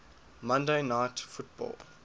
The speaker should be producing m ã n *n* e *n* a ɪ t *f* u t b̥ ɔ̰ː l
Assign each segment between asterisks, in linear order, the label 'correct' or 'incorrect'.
incorrect: d, correct, correct

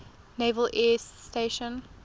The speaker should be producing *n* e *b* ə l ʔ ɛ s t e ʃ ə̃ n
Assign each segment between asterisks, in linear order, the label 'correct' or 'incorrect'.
correct, incorrect: v

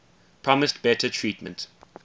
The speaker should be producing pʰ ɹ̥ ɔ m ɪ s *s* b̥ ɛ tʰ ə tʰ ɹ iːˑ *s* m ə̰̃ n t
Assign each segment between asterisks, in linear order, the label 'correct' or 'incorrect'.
incorrect: t, incorrect: t

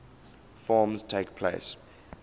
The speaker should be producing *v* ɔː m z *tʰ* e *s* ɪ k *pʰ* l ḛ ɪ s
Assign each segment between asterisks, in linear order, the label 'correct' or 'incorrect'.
incorrect: f, correct, incorrect: none, correct

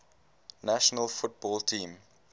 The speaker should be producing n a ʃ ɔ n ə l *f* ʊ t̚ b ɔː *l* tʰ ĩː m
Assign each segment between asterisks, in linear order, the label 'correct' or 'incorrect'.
correct, correct

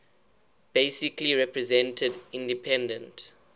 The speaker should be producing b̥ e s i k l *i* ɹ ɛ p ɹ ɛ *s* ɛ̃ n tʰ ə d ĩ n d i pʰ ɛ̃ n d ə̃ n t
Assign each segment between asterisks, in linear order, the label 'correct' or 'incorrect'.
correct, incorrect: z

